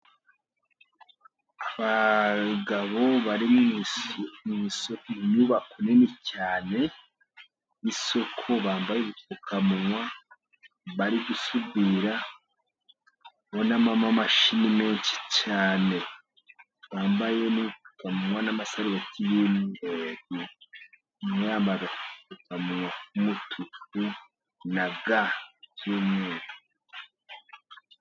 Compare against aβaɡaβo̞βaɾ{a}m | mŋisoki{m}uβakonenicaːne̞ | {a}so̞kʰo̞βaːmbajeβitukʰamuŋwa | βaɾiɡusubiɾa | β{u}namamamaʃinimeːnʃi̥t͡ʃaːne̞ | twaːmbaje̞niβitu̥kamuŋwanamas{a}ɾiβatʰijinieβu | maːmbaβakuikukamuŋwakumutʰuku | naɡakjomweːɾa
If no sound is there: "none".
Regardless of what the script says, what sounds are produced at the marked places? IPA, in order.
i, ɲ, i, o, a

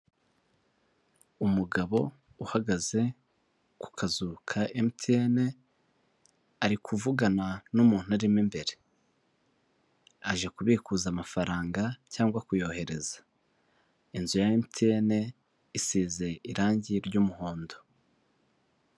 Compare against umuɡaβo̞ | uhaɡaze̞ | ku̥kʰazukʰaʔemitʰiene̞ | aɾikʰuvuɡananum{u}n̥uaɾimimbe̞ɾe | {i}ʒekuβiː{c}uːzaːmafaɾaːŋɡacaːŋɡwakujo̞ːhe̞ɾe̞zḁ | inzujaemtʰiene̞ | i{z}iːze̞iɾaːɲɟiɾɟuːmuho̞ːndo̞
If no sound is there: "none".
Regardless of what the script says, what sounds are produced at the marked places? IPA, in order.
uː, a, k, s

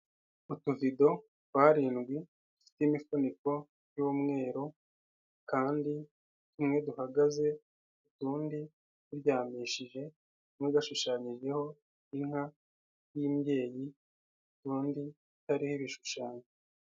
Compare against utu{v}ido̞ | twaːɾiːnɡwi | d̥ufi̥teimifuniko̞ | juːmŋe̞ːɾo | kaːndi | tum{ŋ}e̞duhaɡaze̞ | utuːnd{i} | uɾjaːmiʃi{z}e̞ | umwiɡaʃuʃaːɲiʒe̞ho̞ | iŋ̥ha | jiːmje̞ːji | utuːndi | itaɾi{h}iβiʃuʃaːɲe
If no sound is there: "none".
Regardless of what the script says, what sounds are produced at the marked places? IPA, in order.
v, ŋ, i, ʒ, h

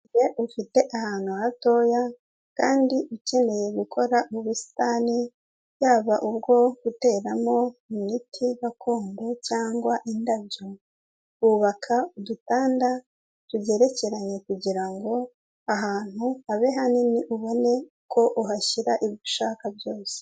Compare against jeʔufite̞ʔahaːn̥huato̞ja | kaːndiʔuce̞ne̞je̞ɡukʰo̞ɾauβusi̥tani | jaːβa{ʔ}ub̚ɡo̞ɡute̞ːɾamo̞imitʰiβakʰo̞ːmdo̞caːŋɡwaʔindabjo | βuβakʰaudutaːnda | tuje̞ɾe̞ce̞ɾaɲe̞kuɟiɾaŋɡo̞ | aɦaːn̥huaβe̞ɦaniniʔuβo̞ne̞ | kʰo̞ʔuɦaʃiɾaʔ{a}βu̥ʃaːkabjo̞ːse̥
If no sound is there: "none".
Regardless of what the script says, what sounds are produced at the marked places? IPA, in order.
ʔ, i

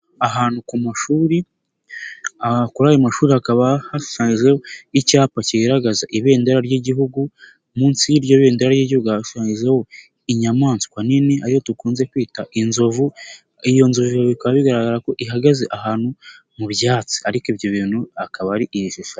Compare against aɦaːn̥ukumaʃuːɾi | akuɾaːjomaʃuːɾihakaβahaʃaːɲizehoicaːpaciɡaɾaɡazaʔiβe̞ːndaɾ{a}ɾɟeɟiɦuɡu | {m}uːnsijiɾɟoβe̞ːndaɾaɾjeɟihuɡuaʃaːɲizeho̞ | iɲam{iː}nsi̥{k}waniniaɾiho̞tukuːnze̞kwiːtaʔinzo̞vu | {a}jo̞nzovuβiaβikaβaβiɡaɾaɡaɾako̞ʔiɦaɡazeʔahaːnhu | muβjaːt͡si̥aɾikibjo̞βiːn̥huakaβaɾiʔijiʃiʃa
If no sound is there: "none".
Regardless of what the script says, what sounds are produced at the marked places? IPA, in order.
a, m, aː, k, i

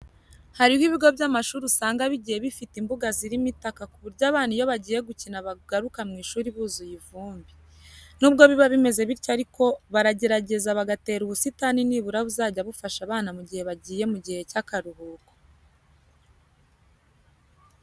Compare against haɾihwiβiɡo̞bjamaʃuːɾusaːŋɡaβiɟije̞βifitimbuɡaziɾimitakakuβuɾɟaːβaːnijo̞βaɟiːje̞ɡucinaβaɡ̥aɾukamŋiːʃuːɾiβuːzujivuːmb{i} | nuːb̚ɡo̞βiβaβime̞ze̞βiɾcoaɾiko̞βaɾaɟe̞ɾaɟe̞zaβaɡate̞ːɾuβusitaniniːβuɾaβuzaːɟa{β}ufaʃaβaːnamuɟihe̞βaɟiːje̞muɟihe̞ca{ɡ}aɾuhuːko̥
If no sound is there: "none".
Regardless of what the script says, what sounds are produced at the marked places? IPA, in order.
i, β, k

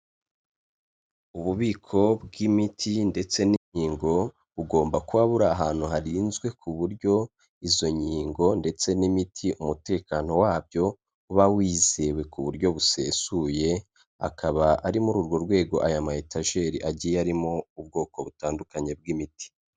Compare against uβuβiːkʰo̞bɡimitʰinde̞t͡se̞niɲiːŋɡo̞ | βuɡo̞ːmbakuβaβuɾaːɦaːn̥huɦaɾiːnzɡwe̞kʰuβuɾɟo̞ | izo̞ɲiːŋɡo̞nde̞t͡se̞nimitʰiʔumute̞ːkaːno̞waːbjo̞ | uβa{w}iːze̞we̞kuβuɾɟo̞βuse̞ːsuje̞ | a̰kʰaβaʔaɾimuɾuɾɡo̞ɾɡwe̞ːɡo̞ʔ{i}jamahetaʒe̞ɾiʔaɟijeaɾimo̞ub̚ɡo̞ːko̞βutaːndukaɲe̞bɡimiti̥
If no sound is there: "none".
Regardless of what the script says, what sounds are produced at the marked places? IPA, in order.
w, a

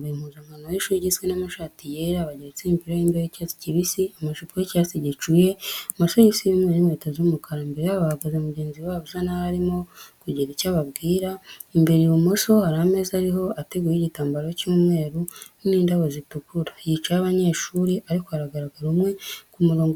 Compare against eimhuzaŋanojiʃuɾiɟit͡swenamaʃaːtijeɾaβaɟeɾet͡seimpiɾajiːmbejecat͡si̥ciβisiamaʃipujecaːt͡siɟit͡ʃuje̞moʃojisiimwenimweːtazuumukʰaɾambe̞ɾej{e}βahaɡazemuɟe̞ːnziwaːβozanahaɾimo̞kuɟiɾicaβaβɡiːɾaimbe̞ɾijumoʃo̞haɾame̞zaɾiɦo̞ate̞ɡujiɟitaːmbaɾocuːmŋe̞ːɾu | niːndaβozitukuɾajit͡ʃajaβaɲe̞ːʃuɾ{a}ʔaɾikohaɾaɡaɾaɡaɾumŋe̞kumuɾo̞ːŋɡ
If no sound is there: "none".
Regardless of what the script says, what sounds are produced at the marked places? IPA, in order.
a, i

